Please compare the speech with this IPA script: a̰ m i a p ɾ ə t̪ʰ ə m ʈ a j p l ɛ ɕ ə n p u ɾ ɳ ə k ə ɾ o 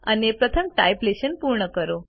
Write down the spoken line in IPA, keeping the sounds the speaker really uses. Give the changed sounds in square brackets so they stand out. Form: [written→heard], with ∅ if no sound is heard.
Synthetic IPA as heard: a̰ [m→n] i [a→e] p ɾ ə t̪ʰ ə m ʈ a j p l [ɛ→e] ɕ ə n p u ɾ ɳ ə k ə ɾ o